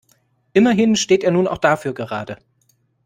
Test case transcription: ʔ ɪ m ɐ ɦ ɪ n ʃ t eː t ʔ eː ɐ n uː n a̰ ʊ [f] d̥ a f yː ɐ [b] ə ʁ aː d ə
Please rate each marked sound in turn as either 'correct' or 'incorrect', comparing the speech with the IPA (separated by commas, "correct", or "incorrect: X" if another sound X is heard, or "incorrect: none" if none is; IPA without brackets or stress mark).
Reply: incorrect: x, incorrect: ɡ